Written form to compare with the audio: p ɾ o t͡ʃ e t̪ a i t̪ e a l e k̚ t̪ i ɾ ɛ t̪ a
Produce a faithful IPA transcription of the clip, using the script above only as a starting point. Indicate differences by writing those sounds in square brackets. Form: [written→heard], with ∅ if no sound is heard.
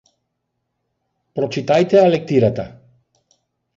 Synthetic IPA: p ɾ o t͡ʃ [e→i] t̪ a [i→j] t̪ e a l e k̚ t̪ i ɾ [ɛ→a] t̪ a

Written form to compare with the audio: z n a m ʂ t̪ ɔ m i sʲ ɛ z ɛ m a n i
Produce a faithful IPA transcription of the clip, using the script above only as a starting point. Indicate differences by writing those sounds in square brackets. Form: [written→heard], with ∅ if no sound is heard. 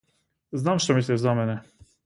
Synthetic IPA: z n a m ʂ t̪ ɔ m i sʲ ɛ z [ɛ→a] m [a→ɛ] n [i→ɛ]

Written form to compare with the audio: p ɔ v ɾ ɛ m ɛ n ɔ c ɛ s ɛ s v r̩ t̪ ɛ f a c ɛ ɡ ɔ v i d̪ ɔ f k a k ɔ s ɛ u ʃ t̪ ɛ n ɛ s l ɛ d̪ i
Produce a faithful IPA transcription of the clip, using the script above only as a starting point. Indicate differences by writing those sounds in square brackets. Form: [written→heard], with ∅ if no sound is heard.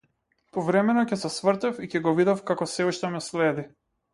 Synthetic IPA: p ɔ v ɾ ɛ m ɛ n ɔ c ɛ s ɛ s v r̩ t̪ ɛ f [a→i] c ɛ ɡ ɔ v i d̪ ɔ f k a k ɔ s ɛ u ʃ t̪ ɛ [n→m] ɛ s l ɛ d̪ i

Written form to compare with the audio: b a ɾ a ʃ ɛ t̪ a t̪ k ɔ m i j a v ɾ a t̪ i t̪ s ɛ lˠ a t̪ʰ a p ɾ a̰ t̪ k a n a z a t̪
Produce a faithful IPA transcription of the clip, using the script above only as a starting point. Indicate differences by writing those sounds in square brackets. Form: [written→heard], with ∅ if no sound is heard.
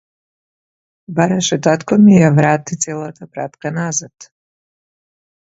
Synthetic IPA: b a ɾ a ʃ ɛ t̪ a t̪ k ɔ m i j a v ɾ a t̪ i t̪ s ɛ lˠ a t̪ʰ a p ɾ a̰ t̪ k a n a z a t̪

